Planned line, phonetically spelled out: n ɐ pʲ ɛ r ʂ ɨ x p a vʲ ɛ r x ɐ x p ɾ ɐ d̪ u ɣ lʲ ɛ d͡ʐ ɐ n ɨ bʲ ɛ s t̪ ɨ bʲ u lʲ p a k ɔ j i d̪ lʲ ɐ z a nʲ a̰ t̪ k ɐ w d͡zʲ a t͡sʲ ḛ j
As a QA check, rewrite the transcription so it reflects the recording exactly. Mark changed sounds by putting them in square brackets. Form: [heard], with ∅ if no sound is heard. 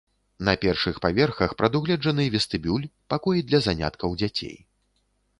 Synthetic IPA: n ɐ pʲ ɛ r ʂ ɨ x p a vʲ ɛ r x ɐ x p ɾ ɐ d̪ u ɣ lʲ ɛ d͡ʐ ɐ n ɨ [vʲ] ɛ s t̪ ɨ bʲ u lʲ p a k ɔ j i d̪ lʲ ɐ z a nʲ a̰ t̪ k ɐ w d͡zʲ a t͡sʲ ḛ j